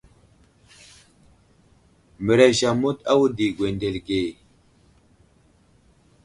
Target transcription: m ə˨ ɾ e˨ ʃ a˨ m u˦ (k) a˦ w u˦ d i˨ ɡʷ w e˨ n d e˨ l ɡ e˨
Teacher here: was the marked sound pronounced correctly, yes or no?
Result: no